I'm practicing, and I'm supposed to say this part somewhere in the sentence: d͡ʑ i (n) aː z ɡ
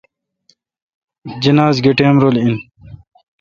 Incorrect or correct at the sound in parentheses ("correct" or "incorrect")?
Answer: correct